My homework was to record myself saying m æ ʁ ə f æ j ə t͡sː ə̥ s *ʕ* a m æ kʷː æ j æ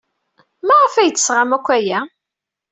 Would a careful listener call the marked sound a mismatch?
yes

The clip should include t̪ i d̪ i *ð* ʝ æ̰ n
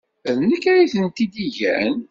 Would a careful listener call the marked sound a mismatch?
yes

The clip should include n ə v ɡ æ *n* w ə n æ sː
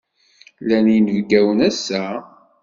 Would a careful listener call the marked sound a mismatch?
yes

